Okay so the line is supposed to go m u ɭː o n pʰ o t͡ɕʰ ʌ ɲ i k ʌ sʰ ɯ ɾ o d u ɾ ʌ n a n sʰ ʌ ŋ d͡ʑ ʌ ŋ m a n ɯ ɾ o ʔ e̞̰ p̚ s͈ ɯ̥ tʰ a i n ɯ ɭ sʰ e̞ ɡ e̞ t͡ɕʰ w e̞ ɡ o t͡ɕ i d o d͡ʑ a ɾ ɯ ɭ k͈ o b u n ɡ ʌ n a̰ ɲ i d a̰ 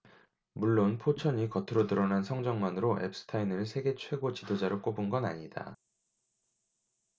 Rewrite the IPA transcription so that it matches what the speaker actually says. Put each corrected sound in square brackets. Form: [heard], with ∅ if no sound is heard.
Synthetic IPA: m u ɭː o n pʰ o t͡ɕʰ ʌ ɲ i k ʌ [tʰ] ɯ ɾ o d [ɯ] ɾ ʌ n a n sʰ ʌ ŋ d͡ʑ ʌ ŋ m a n ɯ ɾ o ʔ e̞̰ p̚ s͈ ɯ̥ tʰ a i n ɯ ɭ sʰ e̞ ɡ e̞ t͡ɕʰ w e̞ ɡ o t͡ɕ i d o d͡ʑ a ɾ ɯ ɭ k͈ o b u n ɡ ʌ n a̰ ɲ i d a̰